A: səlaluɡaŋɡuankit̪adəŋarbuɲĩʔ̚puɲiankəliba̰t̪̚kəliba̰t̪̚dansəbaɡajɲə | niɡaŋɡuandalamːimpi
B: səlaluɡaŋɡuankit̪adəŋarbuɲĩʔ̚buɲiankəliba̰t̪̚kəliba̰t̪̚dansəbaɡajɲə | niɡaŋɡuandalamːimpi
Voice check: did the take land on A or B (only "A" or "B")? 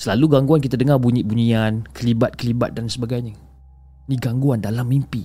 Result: B